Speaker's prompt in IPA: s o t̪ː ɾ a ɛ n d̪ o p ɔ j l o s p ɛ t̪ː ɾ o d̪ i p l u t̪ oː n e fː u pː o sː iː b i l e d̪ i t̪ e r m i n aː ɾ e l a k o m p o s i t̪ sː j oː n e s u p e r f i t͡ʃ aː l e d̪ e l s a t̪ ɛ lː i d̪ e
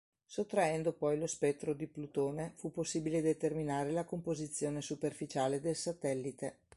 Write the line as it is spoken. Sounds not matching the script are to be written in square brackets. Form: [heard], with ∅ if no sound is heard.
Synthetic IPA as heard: s o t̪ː ɾ a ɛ n d̪ o p ɔ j l o s p ɛ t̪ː ɾ o d̪ i p l u t̪ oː n e [f] u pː o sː iː b i l e d̪ [e] t̪ e r m i n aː ɾ e l a k o m p o [z] i t̪ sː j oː n e s u p e r f i t͡ʃ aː l e d̪ e l s a t̪ ɛ lː i [t̪] e